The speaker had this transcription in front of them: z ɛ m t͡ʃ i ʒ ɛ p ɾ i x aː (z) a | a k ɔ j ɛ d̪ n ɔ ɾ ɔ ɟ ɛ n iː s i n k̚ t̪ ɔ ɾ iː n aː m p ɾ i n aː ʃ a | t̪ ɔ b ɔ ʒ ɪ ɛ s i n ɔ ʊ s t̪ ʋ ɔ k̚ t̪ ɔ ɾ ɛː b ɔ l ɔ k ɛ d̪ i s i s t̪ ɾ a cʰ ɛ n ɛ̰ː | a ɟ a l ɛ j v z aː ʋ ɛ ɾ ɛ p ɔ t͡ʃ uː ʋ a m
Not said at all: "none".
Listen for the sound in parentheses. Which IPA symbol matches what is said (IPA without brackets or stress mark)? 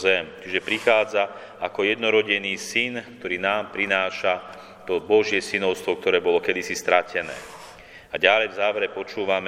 d͡z